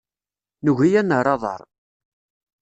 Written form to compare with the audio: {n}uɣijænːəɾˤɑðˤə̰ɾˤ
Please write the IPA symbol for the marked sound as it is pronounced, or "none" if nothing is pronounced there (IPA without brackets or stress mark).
n